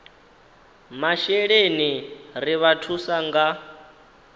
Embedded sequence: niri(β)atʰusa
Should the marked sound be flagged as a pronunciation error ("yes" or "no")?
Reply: no